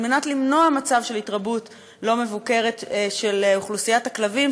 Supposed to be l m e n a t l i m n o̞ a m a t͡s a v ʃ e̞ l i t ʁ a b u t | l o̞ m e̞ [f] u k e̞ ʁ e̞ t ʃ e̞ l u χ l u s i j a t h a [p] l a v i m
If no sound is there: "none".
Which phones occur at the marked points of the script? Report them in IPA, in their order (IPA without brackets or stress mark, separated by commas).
v, k